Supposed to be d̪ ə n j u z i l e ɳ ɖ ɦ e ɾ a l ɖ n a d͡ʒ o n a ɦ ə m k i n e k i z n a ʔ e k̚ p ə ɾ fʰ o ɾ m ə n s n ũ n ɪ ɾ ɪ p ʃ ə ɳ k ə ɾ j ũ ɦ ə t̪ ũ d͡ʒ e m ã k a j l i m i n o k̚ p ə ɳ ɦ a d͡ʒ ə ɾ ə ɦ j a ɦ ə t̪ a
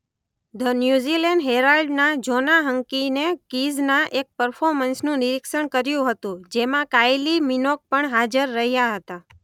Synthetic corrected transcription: d̪ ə n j u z i l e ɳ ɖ ɦ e ɾ a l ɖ n a d͡ʒ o n a ɦ ə ŋ k i n e k i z n a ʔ e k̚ p ə ɾ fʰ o ɾ m ə n s n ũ n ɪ ɾ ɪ k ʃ ə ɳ k ə ɾ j ũ ɦ ə t̪ ũ d͡ʒ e m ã k a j l i m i n o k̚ p ə ɳ ɦ a d͡ʒ ə ɾː ə ɦ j a ɦ ə t̪ a

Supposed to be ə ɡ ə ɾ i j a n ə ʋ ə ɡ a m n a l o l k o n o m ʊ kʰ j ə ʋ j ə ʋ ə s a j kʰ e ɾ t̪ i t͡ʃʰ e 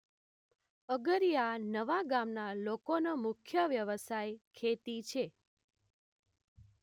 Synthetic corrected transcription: ə ɡ ə ɾ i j a n ə ʋ a ɡ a m n a l o k o n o m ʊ kʰ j ə ʋ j ə ʋ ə s a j kʰ e t̪ i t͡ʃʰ e

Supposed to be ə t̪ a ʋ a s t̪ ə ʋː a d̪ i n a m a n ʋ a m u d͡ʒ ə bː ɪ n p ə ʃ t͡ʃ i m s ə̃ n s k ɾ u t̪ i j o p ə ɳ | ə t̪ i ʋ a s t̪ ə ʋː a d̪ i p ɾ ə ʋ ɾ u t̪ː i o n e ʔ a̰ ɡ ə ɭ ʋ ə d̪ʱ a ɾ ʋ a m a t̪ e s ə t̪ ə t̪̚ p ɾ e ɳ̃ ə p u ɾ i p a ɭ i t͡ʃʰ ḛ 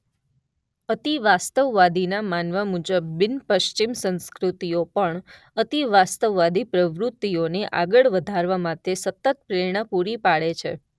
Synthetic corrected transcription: ə t̪ i ʋ a s t̪ ə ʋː a d̪ i n a m a n ʋ a m u d͡ʒ ə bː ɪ n p ə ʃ t͡ʃ i m s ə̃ n s k ɾ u t̪ i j o p ə ɳ | ə t̪ i ʋ a s t̪ ə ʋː a d̪ i p ɾ ə ʋ ɾ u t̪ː i o n e ʔ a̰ ɡ ə ɭ ʋ ə d̪ʱ a ɾ ʋ a m a t̪ e s ə t̪ ə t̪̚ p ɾ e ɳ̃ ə p u ɾ i p a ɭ e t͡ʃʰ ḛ

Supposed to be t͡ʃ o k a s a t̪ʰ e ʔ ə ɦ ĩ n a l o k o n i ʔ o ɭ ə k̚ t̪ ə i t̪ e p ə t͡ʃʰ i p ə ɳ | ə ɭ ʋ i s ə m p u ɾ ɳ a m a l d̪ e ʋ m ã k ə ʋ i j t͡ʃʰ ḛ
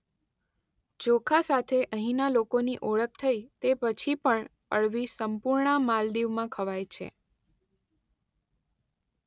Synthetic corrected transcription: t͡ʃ o kʰ a s a t̪ʰ e ʔ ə ɦ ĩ n a l o k o n i ʔ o ɭ ə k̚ t̪ʰ ə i t̪ e p ə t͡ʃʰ i p ə ɳ | ə ɭ ʋ i s ə m p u ɾ ɳ a m a l d̪ i ʋ m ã kʰ ə ʋ a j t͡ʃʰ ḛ

